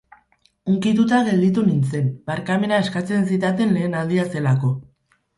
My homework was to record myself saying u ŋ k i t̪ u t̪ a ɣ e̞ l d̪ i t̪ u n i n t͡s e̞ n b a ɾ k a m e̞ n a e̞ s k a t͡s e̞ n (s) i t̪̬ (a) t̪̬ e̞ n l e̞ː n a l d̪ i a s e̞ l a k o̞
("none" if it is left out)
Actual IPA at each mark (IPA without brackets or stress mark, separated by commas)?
s, a